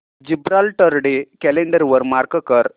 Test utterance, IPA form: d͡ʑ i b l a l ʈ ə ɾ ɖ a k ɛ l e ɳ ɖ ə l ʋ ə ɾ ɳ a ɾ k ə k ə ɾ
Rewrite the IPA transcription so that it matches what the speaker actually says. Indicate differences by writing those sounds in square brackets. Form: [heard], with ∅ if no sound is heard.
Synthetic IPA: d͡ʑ i b [ɾ] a l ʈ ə ɾ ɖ [e] k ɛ l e ɳ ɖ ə [ɾ] ʋ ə ɾ [m] a ɾ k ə k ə ɾ